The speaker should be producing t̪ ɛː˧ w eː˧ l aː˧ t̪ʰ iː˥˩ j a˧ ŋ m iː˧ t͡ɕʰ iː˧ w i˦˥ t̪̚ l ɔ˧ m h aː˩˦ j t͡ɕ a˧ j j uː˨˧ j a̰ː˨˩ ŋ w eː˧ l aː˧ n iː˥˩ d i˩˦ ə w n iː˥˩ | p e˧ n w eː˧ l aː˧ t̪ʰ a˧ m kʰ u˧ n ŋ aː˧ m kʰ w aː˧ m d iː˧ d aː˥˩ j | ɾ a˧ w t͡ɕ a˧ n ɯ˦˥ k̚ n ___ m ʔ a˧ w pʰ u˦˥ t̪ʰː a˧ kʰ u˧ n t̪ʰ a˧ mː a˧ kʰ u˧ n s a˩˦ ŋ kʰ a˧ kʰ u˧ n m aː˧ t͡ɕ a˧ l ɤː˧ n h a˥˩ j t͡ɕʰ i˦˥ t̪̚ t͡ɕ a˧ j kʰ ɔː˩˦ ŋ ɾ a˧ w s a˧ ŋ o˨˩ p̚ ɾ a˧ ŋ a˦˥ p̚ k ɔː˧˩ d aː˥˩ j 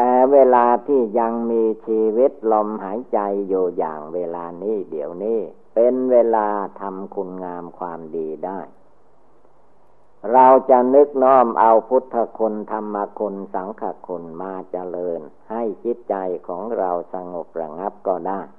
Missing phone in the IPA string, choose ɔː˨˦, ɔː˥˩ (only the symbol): ɔː˥˩